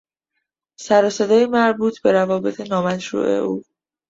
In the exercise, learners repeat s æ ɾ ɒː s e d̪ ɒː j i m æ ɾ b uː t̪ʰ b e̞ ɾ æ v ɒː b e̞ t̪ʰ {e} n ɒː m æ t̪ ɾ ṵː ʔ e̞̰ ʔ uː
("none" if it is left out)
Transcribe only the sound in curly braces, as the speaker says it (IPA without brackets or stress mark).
e